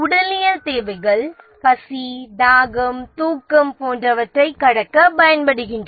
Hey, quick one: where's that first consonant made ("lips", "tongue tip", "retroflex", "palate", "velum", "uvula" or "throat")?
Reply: retroflex